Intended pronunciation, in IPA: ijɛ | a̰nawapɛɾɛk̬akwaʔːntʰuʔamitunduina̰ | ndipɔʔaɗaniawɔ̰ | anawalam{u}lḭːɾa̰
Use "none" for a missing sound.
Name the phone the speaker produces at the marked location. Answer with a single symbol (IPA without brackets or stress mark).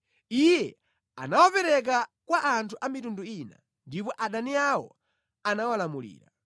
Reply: u